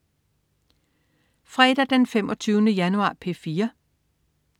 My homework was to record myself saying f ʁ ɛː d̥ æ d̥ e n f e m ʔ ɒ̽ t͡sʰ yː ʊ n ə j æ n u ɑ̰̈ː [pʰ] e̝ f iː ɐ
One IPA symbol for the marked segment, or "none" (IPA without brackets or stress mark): pʰ